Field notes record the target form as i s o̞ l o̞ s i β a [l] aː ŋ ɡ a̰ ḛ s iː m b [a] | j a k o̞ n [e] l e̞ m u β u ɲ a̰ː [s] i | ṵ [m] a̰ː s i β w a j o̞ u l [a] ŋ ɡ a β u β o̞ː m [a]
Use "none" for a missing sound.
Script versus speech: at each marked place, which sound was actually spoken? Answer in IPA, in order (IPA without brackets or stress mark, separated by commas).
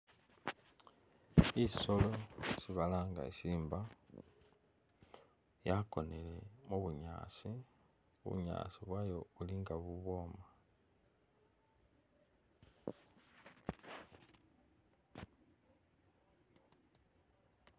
l, a, e, s, ɲ, i, a